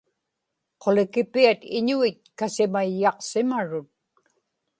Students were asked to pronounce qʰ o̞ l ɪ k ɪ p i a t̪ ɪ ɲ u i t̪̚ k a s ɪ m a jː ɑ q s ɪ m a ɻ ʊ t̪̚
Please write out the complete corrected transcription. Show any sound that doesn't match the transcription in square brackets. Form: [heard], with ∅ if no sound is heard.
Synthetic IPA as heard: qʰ o̞ l ɪ k ɪ p i a t̪ ɪ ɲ u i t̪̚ k a s ɪ m a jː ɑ q s ɪ m a ɻ ʊ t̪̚